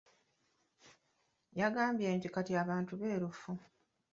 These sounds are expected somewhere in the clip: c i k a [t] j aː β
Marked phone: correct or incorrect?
correct